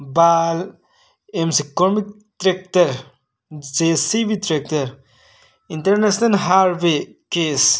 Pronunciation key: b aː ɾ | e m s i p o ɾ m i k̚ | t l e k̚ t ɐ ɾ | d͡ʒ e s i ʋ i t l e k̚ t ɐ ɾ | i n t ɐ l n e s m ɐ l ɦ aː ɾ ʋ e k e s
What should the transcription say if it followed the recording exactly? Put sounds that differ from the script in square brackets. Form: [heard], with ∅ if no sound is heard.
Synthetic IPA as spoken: b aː [l] | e m s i [k] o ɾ m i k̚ | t [ɾ] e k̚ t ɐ ɾ | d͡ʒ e s i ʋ i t [ɾ] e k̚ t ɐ ɾ | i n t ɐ [ɾ] n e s [n] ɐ l ɦ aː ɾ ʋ e k e s